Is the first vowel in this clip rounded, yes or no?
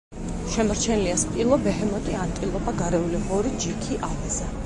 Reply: no